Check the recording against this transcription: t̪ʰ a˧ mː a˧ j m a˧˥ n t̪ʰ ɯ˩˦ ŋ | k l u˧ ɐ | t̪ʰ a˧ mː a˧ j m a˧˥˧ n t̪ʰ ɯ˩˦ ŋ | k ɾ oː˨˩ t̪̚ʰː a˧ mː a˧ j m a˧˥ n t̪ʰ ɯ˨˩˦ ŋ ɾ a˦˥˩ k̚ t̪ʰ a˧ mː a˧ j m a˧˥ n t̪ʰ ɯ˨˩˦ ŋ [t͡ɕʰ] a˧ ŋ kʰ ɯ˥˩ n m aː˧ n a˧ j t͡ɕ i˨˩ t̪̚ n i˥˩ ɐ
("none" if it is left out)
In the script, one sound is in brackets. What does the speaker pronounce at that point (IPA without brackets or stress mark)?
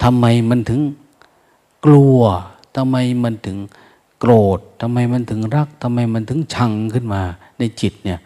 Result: t͡ɕʰ